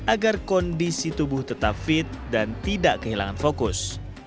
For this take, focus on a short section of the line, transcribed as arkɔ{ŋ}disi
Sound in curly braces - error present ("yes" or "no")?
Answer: yes